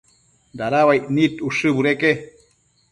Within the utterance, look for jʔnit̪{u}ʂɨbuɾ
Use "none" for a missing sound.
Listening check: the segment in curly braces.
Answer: u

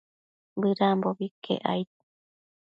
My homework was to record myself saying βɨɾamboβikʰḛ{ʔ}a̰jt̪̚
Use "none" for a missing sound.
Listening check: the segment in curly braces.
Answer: ʔ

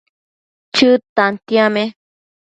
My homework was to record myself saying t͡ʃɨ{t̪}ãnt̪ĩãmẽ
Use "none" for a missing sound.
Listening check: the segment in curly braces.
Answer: t̪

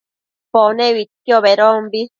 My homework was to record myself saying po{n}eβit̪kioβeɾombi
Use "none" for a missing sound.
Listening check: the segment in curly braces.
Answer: n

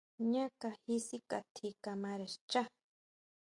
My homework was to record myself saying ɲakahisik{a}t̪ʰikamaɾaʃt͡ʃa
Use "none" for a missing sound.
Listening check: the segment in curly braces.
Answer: a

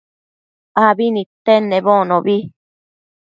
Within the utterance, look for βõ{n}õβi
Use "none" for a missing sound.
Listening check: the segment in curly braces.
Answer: n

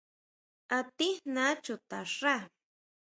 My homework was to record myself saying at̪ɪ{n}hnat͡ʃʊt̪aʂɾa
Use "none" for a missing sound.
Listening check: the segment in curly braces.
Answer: none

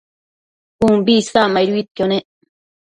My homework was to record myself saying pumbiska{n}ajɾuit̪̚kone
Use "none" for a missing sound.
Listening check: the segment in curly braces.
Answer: m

